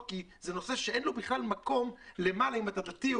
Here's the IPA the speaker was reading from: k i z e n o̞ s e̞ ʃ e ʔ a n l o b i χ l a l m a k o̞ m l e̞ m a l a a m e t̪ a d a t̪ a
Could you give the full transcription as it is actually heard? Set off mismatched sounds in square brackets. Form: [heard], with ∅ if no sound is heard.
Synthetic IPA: k i z e n o̞ s e̞ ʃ e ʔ [e] n l o b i χ l a l m a k o̞ m l e̞ m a l a [i] m [a] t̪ a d a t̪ [i]